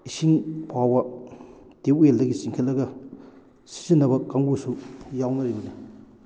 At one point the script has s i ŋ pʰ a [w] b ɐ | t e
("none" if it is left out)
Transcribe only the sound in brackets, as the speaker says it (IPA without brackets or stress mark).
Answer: w